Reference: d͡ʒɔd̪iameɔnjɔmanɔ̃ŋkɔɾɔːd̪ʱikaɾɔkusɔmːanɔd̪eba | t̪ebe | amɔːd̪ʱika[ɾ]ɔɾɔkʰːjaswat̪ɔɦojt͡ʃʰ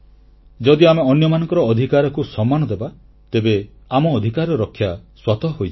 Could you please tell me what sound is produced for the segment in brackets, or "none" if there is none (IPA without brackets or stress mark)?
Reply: ɾ